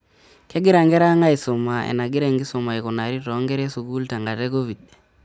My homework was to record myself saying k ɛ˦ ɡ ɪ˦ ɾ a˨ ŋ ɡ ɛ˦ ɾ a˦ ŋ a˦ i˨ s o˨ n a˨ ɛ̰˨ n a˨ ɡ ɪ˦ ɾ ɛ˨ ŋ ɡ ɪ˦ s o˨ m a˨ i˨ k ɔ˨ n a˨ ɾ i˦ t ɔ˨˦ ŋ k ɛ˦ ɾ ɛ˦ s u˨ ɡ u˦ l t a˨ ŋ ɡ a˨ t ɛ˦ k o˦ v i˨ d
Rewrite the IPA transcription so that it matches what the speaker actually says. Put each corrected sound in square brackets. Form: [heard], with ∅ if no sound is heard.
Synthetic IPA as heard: k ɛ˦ ɡ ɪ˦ ɾ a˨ ŋ ɡ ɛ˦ ɾ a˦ ŋ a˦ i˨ s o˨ [m] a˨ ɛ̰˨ n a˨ ɡ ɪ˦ ɾ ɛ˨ ŋ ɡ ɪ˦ s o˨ m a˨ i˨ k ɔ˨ n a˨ ɾ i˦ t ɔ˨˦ ŋ [ɡ] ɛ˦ ɾ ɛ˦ s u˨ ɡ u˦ l t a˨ ŋ ɡ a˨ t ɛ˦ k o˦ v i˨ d